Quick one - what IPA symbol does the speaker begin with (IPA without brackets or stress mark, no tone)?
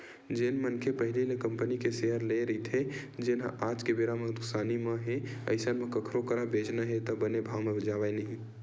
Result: d͡ʒ